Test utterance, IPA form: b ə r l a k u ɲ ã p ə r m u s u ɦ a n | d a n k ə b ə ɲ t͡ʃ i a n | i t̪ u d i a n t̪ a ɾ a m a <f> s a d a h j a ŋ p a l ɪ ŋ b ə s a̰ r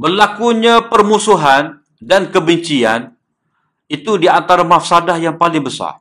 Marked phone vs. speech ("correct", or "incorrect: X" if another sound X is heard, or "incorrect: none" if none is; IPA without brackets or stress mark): correct